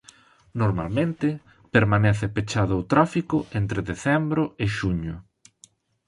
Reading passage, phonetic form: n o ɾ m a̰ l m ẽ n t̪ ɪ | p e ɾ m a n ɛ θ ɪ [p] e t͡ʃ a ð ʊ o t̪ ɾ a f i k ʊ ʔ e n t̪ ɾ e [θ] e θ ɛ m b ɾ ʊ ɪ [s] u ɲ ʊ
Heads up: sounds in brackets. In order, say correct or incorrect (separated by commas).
correct, incorrect, incorrect